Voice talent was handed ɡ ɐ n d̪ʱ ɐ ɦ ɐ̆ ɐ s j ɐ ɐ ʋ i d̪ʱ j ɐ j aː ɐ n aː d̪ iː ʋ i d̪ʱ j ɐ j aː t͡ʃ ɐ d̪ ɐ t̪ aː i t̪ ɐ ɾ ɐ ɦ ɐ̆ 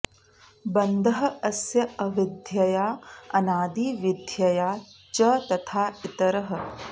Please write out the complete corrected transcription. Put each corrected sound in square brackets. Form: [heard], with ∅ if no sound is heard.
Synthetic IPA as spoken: [b] ɐ n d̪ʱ ɐ ɦ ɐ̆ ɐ s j ɐ ɐ ʋ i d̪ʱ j ɐ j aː ɐ n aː d̪ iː ʋ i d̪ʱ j ɐ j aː t͡ʃ ɐ [t̪] ɐ [t̪ʰ] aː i t̪ ɐ ɾ ɐ ɦ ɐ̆